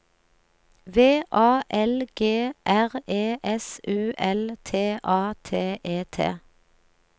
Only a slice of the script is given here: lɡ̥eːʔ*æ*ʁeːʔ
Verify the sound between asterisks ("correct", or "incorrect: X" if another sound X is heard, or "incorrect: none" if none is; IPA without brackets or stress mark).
correct